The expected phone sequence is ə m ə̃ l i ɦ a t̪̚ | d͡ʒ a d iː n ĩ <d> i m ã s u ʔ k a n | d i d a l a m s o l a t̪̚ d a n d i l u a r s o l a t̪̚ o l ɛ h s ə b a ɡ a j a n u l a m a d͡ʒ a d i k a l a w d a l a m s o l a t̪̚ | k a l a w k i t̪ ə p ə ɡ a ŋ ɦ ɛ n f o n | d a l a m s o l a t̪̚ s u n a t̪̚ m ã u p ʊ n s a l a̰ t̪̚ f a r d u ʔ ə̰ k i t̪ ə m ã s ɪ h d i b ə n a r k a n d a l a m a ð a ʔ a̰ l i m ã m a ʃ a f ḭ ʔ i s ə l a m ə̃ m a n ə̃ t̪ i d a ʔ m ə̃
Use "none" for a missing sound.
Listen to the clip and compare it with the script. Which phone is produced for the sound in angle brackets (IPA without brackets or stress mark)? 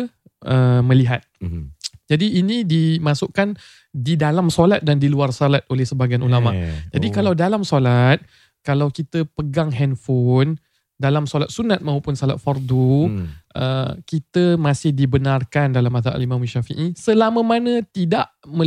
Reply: d